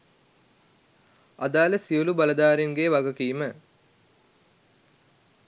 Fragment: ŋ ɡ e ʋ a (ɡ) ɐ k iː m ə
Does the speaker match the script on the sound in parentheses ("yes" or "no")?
yes